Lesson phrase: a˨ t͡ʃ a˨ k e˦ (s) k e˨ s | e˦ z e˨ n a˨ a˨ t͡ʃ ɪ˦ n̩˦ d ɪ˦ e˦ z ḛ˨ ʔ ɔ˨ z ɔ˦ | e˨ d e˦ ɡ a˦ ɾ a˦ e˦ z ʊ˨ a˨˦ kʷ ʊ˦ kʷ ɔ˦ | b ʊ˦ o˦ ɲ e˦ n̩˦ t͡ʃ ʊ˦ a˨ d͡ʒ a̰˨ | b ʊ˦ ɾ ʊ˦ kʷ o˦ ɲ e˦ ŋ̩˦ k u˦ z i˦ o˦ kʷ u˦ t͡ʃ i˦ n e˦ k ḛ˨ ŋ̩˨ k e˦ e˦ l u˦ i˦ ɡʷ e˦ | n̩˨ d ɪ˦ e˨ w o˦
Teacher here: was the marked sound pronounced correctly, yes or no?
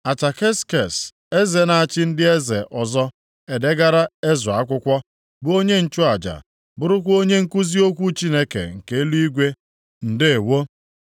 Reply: yes